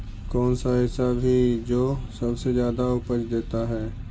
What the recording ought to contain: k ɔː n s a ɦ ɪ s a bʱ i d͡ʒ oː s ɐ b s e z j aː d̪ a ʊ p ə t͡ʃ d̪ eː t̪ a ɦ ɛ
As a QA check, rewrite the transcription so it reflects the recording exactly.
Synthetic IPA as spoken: k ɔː n s a ɦ ɪ s a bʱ i d͡ʒ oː s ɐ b s e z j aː d̪ a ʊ p ə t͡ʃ d̪ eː t̪ a ɦ ɛː